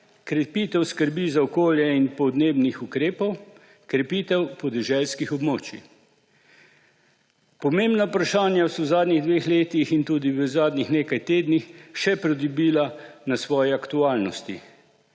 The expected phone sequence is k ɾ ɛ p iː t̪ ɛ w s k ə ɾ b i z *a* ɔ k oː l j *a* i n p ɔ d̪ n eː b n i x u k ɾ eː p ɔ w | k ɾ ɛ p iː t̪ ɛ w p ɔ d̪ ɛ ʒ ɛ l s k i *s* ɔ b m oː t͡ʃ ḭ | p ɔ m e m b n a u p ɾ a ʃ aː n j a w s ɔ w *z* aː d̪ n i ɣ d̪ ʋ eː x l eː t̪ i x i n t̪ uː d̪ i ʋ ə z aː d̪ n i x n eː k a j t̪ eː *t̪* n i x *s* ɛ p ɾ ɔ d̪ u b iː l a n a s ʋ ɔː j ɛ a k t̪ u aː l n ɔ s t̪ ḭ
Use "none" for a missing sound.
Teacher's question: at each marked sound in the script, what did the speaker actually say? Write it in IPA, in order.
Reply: a, ɛ, x, z, d̪, ʃ

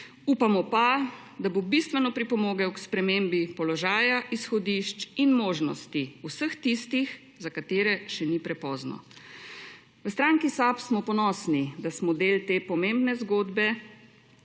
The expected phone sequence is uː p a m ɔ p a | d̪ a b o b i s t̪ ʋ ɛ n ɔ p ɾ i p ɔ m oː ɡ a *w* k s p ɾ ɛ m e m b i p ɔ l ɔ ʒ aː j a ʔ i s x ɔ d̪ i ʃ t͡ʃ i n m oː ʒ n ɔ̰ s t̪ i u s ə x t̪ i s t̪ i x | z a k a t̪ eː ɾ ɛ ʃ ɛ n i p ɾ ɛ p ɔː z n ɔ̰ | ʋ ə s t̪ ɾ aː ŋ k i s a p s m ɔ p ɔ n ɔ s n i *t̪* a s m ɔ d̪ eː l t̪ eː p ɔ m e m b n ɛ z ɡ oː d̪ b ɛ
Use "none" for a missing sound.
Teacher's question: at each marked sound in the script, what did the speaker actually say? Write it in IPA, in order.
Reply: w, d̪

